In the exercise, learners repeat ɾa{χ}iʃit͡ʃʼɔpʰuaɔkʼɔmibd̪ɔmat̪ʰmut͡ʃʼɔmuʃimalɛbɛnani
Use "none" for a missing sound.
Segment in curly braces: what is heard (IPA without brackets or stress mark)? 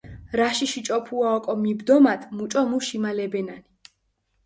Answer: ʃ